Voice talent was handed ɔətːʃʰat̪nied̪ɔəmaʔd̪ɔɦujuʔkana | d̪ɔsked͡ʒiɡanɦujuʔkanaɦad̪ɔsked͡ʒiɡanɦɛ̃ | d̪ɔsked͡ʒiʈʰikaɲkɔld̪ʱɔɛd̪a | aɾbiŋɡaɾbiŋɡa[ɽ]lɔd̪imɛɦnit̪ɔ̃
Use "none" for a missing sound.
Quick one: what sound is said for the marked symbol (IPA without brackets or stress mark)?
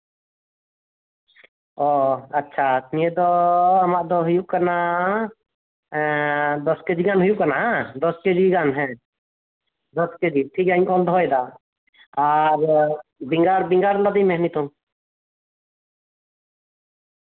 ɾ